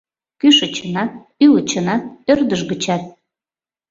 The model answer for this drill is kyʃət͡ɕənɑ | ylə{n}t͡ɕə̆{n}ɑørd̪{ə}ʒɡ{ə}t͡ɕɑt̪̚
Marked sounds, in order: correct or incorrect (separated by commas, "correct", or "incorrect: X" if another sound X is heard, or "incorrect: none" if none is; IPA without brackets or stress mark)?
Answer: incorrect: none, correct, correct, correct